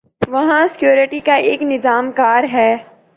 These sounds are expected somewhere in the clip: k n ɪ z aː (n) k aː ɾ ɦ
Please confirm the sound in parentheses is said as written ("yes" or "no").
no